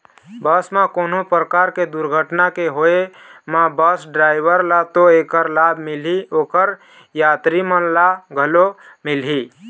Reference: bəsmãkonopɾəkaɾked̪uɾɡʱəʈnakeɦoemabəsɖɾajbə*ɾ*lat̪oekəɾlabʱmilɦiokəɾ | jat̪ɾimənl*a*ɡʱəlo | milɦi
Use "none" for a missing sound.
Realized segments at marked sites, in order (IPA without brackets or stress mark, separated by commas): ɾ, a